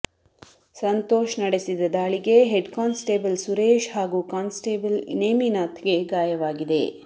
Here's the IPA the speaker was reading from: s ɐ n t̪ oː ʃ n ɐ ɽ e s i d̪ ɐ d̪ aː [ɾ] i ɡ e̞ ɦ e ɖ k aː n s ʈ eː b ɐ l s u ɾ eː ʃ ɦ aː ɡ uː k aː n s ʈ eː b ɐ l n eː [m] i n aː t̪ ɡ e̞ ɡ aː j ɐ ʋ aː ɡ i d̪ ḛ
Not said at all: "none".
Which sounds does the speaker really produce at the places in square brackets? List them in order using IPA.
ɭ, m

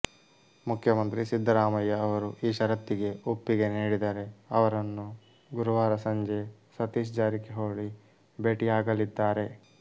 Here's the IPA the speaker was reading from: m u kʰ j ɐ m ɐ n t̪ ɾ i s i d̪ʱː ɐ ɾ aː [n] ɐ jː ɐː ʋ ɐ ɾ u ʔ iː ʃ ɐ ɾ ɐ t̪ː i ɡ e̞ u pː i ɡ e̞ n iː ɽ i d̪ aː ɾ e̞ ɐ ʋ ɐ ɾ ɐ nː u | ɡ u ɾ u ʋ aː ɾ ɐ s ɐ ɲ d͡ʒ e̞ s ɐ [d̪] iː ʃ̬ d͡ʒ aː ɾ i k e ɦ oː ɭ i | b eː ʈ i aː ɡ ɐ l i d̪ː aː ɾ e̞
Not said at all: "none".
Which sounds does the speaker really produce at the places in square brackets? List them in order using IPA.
m, t̪

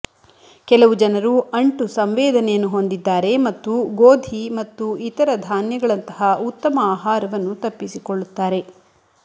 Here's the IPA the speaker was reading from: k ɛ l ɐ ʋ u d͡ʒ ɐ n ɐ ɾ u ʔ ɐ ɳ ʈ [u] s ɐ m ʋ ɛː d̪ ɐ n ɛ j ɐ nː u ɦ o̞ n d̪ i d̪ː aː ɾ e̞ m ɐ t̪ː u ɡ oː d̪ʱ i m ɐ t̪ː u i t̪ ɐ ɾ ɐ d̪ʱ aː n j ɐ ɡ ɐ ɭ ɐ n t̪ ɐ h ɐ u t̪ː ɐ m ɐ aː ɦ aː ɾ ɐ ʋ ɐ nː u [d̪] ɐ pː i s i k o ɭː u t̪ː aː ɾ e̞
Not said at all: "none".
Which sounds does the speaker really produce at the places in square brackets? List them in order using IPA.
u, t̪

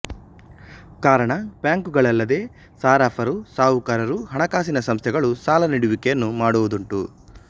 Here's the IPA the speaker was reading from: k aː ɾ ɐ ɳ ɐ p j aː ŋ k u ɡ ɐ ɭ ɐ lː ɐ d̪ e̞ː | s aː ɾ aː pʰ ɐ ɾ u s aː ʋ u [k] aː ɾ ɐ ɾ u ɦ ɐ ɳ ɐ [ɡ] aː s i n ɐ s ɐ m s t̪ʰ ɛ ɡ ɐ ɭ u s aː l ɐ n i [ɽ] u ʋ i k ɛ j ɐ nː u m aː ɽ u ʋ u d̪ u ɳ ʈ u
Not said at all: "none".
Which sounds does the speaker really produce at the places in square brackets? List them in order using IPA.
k, k, ɽ

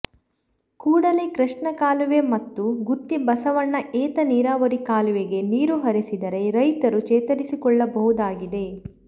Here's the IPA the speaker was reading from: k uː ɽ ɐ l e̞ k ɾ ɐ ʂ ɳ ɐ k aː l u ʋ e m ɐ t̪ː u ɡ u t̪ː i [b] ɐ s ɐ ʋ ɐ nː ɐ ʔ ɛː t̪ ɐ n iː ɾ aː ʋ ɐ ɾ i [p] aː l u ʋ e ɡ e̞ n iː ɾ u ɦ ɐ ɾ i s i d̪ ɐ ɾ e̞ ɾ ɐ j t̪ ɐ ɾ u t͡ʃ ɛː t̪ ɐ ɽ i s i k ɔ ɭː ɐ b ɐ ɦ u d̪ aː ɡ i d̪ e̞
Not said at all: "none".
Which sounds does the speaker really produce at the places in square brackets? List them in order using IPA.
b, k

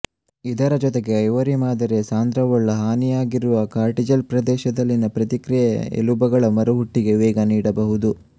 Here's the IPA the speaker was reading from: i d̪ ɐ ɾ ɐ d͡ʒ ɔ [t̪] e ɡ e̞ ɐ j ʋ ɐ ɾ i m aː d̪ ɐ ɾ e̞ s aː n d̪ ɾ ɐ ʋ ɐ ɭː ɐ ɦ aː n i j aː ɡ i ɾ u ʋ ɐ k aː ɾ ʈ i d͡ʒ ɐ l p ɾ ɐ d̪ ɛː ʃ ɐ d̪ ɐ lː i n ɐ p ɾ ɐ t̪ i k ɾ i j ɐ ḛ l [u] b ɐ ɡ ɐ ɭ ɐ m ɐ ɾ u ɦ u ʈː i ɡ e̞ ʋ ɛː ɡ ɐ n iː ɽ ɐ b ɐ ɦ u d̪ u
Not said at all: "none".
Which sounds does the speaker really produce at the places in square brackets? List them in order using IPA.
t̪, u

